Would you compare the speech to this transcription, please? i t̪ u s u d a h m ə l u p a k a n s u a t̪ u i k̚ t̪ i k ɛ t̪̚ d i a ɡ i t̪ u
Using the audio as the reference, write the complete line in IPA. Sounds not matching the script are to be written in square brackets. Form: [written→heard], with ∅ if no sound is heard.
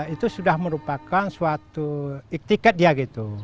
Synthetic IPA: i t̪ u s u d a h m ə [l→ɾ] u p a k a n s u a t̪ u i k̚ t̪ i k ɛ t̪̚ d i a ɡ i t̪ u